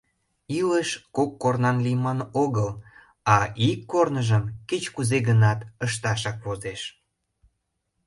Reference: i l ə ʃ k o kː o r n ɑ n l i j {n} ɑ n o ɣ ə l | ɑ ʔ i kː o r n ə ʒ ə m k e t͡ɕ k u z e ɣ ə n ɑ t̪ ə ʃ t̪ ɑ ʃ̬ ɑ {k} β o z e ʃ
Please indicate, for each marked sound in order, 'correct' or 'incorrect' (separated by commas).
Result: incorrect, correct